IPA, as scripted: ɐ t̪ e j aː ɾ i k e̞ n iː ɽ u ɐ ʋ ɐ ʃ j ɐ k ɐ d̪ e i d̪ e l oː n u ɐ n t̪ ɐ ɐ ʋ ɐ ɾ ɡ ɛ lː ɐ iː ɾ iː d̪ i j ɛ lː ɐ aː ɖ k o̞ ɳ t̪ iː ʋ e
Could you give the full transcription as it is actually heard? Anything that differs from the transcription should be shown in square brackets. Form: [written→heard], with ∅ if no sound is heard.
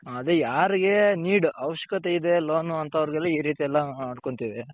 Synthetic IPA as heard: ɐ [t̪→d̪] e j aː ɾ i [k→ɡ] e̞ n iː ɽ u ɐ ʋ ɐ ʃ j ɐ k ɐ [d̪→t̪] e i d̪ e l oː n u ɐ n t̪ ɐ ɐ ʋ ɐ ɾ ɡ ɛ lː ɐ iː ɾ iː [d̪→t̪] i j ɛ lː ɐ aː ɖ k o̞ ɳ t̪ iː ʋ e